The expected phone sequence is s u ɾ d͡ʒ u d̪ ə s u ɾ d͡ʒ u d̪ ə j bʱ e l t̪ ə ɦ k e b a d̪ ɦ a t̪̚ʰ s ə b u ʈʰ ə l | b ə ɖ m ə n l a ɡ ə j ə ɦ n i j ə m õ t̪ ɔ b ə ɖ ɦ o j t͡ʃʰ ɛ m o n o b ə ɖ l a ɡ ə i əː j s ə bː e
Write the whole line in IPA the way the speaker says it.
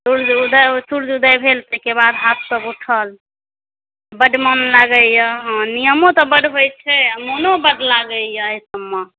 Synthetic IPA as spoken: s u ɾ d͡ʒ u d̪ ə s u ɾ d͡ʒ u d̪ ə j bʱ e l t̪ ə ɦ k e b a d̪ ɦ a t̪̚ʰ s ə b u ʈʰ ə l | b ə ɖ m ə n l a ɡ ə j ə ɦ n i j ə m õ t̪ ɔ b ə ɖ ɦ o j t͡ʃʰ ɛ m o n o b ə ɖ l a ɡ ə j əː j s ə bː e